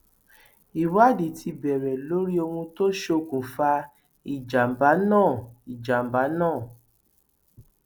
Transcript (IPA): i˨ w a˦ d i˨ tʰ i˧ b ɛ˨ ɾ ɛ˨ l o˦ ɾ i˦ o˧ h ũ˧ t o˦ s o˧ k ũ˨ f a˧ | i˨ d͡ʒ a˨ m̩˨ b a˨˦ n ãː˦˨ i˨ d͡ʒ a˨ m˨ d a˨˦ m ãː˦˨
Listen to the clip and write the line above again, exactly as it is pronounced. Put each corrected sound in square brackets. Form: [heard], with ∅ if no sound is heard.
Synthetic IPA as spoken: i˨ w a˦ d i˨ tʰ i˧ b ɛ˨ ɾ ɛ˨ l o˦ ɾ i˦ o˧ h ũ˧ t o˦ [ʃ] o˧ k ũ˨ f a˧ | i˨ d͡ʒ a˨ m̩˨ b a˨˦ n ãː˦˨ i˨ d͡ʒ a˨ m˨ [b] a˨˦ [n] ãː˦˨

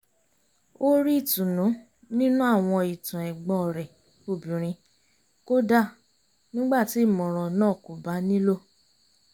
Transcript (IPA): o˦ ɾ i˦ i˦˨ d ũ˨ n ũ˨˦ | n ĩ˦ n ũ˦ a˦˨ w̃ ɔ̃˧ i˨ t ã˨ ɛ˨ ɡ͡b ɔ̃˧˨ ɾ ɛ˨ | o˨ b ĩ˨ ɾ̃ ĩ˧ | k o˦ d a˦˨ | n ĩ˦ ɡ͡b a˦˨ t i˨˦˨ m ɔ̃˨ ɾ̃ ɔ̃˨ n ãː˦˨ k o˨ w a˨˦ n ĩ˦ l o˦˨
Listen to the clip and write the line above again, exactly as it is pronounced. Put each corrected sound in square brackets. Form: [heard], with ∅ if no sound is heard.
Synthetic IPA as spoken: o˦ ɾ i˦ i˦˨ [t] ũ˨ n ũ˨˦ | n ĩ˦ n ũ˦ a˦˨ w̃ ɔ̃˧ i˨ t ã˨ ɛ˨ ɡ͡b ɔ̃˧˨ ɾ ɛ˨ | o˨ b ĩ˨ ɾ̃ ĩ˧ | k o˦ d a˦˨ | n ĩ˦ ɡ͡b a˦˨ t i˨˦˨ m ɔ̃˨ ɾ̃ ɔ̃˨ n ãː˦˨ k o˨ [b] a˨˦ n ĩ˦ l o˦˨

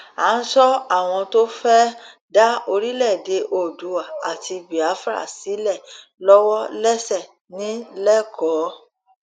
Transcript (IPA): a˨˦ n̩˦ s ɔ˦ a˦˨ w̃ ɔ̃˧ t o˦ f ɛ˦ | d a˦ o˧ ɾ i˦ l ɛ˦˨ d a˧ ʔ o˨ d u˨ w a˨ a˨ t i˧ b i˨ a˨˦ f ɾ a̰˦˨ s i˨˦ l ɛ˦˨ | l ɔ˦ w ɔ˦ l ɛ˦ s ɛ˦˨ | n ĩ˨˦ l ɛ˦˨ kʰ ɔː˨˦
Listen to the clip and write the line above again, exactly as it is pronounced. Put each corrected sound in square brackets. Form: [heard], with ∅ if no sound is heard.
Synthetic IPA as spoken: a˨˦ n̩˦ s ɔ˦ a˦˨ w̃ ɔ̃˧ t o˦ f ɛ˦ | d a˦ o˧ ɾ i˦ l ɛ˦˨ d [e˧] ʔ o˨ d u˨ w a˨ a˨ t i˧ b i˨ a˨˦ f ɾ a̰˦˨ s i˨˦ l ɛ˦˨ | l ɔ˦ w ɔ˦ l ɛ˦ s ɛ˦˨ | n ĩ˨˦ l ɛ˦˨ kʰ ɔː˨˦

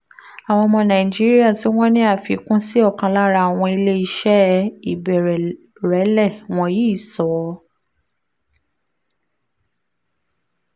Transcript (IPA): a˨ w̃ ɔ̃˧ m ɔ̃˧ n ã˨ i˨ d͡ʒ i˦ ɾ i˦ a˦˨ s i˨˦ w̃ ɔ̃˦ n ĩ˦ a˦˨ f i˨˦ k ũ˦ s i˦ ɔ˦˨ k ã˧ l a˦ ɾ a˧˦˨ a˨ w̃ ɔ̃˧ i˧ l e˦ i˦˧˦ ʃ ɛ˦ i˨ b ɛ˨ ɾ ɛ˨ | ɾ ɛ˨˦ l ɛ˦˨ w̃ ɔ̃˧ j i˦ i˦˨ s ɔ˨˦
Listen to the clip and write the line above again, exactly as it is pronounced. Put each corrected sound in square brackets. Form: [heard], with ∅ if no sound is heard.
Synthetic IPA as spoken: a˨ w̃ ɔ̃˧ m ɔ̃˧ n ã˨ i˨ d͡ʒ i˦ ɾ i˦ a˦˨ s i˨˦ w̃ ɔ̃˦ n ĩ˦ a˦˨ f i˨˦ k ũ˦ s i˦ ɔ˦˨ k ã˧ l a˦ ɾ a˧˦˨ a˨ w̃ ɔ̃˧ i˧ l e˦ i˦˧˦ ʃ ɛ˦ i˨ b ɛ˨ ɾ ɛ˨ | ɾ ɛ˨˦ l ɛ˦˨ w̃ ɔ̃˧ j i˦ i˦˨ s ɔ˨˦

